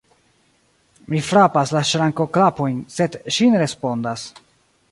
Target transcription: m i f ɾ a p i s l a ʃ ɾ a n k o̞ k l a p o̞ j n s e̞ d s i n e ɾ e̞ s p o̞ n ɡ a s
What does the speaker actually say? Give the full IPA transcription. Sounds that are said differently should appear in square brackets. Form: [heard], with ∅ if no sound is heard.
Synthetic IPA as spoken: m i f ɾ a p [a] s l a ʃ ɾ a [ŋ] k o̞ k l a p o̞ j n s e̞ d [ʃ] i n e ɾ e̞ s p o̞ n [d] a s